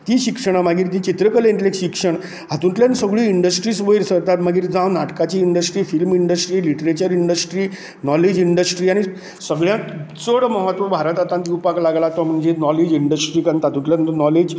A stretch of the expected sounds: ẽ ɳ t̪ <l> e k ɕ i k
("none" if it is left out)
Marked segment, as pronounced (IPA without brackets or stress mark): l